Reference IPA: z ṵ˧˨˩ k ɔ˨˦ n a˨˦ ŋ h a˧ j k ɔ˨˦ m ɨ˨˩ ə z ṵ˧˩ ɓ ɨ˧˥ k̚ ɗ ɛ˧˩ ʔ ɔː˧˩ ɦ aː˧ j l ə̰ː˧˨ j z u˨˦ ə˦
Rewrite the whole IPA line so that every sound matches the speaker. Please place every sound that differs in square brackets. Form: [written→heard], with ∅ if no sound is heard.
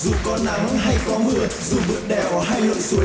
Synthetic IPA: z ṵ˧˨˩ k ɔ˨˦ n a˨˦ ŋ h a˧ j k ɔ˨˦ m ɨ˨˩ ə z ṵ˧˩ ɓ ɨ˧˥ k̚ ɗ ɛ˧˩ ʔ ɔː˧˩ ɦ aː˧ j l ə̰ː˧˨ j [z→s] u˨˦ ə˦